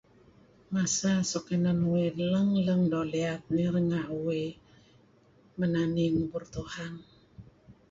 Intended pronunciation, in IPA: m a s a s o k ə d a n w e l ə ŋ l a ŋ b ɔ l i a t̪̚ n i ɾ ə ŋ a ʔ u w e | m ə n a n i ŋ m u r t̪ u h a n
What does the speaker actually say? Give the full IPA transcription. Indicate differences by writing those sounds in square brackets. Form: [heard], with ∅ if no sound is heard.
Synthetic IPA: m a s a s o k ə [n] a n w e l ə ŋ l [ə] ŋ [d] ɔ l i a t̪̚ n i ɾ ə ŋ a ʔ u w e | m ə n a n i ŋ [b] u r t̪ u h a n